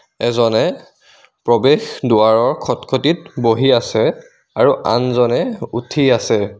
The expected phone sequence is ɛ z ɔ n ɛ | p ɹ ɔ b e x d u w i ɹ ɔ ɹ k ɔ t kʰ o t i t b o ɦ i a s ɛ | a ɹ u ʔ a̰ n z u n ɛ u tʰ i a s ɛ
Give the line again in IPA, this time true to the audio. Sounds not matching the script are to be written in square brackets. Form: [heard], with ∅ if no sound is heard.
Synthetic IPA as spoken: ɛ z ɔ n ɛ | p ɹ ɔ b e x d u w [a] ɹ ɔ ɹ [kʰ] ɔ t kʰ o t i t b o ɦ i a s ɛ | a ɹ u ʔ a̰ n z [ɔ] n ɛ u tʰ i a s ɛ